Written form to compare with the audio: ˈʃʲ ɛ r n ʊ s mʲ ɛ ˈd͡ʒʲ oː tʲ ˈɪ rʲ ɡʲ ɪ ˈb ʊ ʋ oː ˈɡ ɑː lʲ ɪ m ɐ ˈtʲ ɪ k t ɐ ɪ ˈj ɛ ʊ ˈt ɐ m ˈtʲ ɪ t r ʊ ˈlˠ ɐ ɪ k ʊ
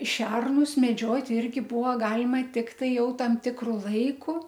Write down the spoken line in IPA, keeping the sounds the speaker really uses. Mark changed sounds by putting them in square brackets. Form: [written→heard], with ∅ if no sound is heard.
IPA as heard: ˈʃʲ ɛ r n ʊ s mʲ ɛ ˈd͡ʒʲ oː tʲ ˈɪ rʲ ɡʲ ɪ ˈb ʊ ʋ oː ˈɡ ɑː lʲ ɪ m ɐ ˈtʲ ɪ k t ɐ ɪ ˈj ɛ ʊ ˈt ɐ m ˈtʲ ɪ [t→k] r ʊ ˈlˠ ɐ ɪ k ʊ